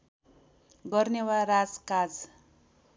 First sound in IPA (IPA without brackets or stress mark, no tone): ɡ